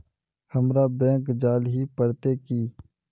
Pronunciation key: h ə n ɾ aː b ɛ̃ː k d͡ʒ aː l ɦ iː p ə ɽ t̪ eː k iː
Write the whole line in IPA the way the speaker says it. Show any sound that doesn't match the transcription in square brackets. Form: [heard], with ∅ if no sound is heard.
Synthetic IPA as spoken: h ə [m] ɾ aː b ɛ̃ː k d͡ʒ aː l ɦ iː p ə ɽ t̪ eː k iː